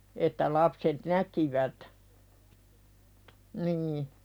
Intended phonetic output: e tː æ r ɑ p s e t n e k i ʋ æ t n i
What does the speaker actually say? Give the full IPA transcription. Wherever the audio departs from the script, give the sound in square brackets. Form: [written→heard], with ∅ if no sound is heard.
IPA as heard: e tː æ [r→l] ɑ p s e t n [e→æ] k i ʋ æ t n [i→iː]